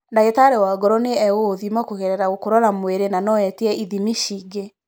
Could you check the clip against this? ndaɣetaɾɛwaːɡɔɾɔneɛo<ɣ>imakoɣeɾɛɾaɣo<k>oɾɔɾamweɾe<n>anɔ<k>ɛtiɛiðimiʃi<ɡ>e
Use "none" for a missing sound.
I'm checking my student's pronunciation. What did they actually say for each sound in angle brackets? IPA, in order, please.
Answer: ð, k, n, none, ɡ

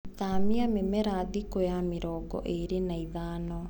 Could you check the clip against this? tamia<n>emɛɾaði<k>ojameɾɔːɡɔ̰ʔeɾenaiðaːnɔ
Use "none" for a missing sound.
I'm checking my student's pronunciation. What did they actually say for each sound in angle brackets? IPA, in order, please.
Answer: m, k

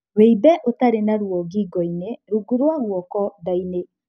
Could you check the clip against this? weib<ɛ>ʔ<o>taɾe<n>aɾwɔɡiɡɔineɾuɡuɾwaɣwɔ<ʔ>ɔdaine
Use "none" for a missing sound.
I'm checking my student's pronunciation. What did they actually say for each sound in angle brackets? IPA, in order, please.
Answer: ɛ, o, n, k

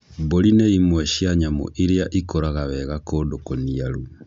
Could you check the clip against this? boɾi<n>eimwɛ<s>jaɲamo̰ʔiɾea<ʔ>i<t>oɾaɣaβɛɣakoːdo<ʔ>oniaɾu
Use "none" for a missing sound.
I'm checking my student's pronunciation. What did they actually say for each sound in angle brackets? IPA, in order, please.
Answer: n, ʃ, ʔ, k, k

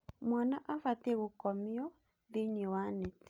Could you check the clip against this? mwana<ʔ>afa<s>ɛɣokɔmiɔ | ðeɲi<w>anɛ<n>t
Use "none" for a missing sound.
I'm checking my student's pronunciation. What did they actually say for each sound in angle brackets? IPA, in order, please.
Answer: ʔ, t, w, none

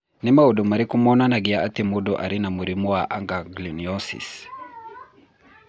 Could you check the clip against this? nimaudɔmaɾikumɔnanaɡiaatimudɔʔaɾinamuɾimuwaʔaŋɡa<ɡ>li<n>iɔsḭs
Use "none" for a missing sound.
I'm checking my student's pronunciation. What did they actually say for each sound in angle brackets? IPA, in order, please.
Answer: ɡ, n

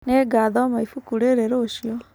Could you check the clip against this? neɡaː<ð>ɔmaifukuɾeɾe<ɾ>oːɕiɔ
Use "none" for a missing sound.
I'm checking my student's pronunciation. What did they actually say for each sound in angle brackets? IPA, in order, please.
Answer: ð, ɾ

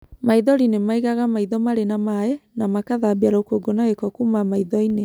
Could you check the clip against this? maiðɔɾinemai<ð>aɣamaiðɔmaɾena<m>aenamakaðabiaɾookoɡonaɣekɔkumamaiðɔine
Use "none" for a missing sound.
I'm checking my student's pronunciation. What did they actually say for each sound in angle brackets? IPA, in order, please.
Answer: ɣ, m

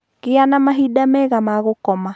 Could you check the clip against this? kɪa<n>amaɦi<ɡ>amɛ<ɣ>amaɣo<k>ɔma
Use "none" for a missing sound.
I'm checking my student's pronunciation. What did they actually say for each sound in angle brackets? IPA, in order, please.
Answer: n, d, ɣ, k

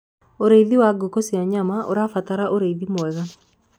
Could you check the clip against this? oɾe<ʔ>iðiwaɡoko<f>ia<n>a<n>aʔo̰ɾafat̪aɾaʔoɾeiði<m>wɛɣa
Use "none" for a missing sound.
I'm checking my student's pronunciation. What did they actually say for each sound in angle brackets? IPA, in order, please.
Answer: none, s, ɲ, m, m

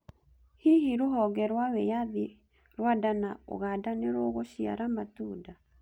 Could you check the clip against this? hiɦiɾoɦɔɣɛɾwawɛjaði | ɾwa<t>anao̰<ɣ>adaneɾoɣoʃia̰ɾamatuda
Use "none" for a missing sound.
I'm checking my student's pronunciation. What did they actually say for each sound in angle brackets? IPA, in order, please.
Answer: d, ɣ

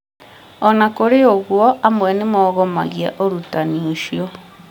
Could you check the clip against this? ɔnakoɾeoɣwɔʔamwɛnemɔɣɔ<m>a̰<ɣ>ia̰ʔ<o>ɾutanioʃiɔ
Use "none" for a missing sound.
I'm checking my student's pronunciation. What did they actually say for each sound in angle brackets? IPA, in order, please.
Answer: m, ɣ, o

